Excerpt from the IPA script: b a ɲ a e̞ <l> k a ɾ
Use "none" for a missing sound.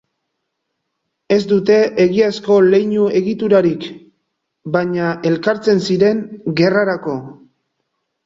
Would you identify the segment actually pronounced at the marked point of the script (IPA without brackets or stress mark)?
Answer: l